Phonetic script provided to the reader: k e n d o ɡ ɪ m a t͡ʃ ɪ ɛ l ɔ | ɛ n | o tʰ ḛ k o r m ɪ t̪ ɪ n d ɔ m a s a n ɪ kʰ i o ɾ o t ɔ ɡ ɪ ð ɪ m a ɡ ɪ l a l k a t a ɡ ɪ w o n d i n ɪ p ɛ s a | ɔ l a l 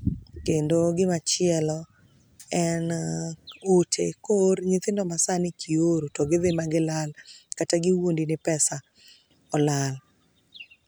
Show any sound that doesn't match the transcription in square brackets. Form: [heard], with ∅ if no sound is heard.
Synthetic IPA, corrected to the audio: k e n d o ɡ ɪ m a t͡ʃ ɪ ɛ l ɔ | ɛ n | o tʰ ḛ k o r [ɲ] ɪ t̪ ɪ n d ɔ m a s a n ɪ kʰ i o ɾ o t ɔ ɡ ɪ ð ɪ m a ɡ ɪ l a l k a t a ɡ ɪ w o n d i n ɪ p ɛ s a | ɔ l a l